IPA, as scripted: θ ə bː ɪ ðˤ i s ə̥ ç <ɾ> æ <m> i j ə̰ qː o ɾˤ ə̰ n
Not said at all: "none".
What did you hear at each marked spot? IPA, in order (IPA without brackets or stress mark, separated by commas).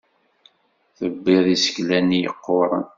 l, n